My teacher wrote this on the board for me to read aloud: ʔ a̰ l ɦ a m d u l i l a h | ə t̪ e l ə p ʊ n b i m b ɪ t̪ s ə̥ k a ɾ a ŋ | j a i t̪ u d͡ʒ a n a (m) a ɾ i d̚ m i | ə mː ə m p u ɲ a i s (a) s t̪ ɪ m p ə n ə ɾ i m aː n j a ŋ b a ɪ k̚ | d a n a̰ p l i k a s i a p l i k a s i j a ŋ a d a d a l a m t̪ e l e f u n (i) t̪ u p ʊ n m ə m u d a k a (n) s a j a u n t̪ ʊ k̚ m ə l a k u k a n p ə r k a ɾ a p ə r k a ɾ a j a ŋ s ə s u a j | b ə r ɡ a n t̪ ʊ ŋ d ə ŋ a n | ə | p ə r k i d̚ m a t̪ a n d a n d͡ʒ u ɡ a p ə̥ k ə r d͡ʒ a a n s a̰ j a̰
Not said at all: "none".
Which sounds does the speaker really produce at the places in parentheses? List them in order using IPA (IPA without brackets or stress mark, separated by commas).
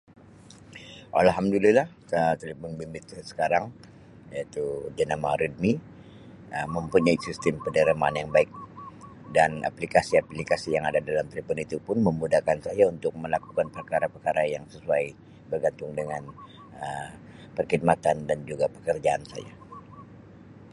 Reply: m, i, i, n